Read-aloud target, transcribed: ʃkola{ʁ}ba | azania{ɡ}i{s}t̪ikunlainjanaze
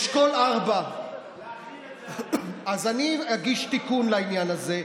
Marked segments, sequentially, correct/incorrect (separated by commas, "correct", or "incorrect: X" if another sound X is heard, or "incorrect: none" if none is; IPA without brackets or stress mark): correct, correct, incorrect: ʃ